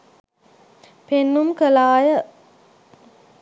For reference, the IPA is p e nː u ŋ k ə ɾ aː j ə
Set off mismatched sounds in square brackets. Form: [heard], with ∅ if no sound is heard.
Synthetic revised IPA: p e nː u [m] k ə [l] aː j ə